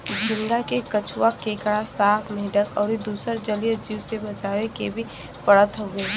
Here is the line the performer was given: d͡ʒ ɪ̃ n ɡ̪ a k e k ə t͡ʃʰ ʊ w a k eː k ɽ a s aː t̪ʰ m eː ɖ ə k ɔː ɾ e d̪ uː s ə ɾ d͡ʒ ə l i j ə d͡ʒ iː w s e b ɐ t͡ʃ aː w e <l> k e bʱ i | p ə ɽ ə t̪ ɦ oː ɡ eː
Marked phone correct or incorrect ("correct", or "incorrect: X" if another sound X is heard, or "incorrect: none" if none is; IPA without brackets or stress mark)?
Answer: incorrect: none